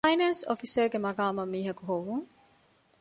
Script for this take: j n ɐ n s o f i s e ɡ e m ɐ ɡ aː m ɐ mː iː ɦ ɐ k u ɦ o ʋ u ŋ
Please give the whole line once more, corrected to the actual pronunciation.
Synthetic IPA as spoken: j n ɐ n s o f i s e ɡ e m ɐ ɡ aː m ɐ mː iː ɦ ɐ k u ɦ o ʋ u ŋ